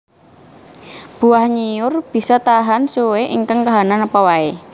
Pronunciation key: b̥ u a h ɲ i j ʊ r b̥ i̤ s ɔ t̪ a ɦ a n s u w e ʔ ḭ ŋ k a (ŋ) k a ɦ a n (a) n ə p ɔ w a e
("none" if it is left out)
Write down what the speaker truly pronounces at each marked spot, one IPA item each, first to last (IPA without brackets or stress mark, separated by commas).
ŋ, a